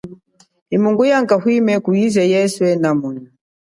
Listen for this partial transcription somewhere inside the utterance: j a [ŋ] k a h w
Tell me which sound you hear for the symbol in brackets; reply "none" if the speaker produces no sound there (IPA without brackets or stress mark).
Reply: ŋ